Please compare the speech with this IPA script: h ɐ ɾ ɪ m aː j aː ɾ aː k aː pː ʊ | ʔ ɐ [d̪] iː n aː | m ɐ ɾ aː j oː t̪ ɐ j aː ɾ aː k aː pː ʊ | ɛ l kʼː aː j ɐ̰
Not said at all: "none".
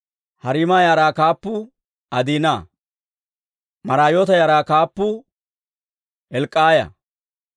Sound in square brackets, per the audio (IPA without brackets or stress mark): d̪